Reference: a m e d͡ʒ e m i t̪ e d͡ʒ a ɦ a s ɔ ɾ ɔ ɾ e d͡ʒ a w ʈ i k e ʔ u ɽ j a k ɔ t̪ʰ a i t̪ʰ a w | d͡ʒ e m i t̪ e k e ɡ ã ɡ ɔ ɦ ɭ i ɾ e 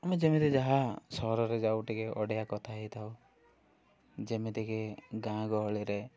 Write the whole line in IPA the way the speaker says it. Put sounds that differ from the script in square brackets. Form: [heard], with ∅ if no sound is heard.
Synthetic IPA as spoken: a m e d͡ʒ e m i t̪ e d͡ʒ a ɦ a s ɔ ɾ ɔ ɾ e d͡ʒ a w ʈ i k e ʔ [ɔ] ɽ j a k ɔ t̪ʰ a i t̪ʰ a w | d͡ʒ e m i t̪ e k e ɡ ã ɡ ɔ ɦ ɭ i ɾ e